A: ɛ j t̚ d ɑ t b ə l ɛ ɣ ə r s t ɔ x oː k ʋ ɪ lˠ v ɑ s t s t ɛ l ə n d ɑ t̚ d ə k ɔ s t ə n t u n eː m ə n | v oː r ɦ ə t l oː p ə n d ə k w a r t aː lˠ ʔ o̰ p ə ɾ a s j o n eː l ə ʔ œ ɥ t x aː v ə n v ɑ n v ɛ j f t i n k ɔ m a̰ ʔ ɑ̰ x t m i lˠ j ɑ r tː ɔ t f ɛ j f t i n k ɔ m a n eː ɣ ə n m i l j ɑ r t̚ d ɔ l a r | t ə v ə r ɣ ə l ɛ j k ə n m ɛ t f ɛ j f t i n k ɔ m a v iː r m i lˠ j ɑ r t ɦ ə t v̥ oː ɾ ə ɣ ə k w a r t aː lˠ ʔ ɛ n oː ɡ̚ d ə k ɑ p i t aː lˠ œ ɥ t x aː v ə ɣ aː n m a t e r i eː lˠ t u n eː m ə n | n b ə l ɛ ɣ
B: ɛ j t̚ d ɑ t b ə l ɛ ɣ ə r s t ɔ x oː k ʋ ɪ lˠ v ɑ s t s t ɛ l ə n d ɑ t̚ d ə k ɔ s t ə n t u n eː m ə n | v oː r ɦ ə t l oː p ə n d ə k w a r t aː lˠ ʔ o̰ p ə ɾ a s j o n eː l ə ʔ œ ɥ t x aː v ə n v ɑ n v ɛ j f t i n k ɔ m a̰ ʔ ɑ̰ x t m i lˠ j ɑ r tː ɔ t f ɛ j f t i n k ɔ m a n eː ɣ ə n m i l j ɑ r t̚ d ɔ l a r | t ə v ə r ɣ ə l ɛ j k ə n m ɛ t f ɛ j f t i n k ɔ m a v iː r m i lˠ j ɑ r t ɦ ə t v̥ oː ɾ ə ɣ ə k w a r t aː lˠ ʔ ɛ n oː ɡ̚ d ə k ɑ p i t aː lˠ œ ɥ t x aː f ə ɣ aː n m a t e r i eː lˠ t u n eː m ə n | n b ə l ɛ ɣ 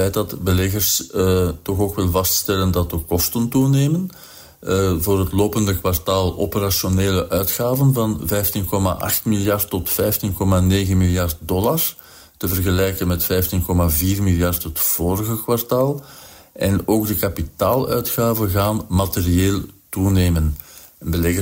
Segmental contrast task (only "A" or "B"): A